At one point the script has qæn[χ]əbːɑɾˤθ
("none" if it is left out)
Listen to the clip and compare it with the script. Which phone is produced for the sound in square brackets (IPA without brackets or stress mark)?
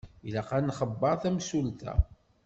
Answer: χ